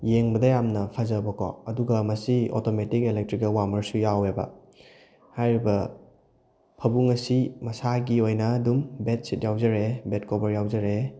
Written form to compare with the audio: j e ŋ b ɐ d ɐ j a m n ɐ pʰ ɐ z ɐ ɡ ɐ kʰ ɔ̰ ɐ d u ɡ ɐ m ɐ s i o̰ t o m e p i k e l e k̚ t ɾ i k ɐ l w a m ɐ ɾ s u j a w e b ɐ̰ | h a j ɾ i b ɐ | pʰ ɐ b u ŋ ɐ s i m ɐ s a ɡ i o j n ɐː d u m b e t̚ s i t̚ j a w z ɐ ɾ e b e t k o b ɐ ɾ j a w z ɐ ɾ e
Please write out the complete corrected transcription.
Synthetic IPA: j e ŋ b ɐ d ɐ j a m n ɐ pʰ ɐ z ɐ b ɐ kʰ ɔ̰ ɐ d u ɡ ɐ m ɐ s i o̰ t o m e t i k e l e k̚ t ɾ i k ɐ l w a m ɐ ɾ s u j a w e b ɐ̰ | h a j ɾ i b ɐ | pʰ ɐ b u ŋ ɐ s i m ɐ s a ɡ i o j n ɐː d u m b e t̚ s i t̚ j a w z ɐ ɾ e b e t k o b ɐ ɾ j a w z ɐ ɾ e